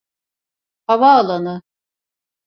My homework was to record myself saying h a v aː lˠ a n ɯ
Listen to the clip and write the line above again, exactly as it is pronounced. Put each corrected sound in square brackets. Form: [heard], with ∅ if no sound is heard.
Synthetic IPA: h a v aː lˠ a n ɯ